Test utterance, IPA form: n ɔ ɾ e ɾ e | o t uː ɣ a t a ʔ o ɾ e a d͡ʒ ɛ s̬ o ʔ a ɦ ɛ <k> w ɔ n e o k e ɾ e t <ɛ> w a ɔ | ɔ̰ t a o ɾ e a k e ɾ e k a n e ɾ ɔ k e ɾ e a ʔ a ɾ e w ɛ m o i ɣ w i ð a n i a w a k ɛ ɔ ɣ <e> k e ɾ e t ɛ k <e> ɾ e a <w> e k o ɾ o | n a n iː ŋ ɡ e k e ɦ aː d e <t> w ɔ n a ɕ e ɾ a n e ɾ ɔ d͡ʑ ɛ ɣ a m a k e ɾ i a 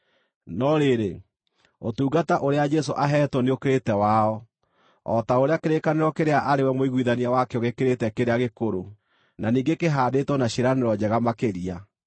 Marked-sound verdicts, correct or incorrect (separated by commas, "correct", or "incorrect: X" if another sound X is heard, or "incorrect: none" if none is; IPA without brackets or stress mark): incorrect: t, correct, correct, correct, incorrect: ɣ, correct